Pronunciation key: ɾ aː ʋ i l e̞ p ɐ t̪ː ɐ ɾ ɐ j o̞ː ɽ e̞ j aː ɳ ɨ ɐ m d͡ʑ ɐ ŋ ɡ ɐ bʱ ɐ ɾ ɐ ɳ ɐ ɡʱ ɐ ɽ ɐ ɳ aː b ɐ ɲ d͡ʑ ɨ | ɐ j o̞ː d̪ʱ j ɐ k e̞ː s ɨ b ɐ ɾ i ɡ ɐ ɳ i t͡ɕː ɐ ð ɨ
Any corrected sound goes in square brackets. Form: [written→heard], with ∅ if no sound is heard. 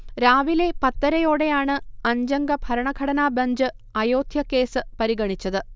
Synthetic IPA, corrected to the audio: ɾ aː ʋ i l e̞ p ɐ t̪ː ɐ ɾ ɐ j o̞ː ɽ e̞ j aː ɳ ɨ ɐ [m→ɲ] d͡ʑ ɐ ŋ ɡ ɐ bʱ ɐ ɾ ɐ ɳ ɐ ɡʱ ɐ ɽ ɐ [ɳ→n] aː b ɐ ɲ d͡ʑ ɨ | ɐ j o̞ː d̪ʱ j ɐ k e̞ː s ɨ [b→p] ɐ ɾ i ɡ ɐ ɳ i t͡ɕː ɐ ð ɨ